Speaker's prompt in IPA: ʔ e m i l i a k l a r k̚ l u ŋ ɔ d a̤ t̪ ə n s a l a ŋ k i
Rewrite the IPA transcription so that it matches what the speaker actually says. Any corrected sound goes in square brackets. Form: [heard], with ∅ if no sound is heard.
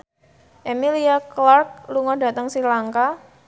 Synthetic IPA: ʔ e m i l i a k l a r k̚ l u ŋ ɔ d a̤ t̪ ə [ŋ] s [i] l a ŋ k [a]